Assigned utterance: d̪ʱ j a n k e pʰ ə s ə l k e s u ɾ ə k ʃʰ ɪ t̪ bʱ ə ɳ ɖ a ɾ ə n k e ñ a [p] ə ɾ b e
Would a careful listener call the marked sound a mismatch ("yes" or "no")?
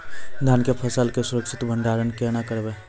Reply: yes